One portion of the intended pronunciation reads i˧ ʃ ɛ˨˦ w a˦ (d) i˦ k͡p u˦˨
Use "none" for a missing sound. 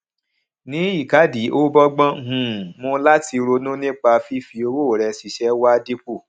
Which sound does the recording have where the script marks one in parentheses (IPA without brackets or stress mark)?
d